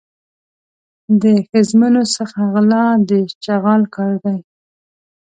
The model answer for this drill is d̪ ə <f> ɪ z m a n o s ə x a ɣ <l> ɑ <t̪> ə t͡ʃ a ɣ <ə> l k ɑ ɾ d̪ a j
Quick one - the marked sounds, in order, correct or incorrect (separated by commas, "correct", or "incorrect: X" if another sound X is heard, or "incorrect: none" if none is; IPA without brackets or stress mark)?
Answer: incorrect: x, correct, incorrect: d̪, incorrect: ɑ